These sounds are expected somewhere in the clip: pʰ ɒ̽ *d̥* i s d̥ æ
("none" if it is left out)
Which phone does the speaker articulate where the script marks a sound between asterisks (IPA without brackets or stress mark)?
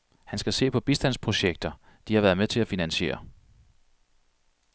b̥